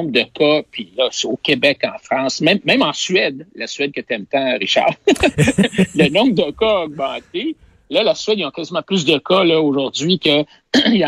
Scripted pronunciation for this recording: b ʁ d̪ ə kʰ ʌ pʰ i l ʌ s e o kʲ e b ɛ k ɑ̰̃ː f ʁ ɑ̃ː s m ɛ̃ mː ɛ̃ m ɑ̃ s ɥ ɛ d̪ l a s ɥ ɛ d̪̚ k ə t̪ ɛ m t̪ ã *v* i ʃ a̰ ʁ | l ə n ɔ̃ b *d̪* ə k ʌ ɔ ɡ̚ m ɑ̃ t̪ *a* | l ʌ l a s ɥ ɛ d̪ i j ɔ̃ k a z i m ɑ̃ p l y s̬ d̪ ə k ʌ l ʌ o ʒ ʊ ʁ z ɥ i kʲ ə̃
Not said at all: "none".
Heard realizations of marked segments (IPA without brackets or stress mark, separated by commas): ʁ, d̪, e